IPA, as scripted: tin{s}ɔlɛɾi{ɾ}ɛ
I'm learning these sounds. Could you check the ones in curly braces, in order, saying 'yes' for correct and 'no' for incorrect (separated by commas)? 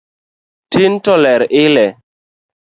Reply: no, no